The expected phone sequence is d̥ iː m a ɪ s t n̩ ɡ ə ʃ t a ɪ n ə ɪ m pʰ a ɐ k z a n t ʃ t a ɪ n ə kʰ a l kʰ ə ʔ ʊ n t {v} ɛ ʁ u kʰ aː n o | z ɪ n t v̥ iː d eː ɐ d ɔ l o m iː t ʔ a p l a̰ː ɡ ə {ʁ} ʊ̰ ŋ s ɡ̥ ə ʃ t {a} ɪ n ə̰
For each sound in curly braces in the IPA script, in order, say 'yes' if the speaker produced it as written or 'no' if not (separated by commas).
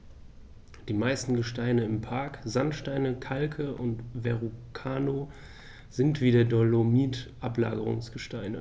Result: yes, yes, yes